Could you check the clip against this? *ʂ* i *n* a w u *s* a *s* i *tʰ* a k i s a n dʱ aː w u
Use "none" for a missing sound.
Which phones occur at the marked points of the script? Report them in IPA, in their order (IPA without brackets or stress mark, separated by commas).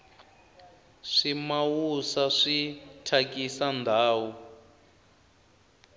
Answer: ʂ, m, s, ʂ, tʰ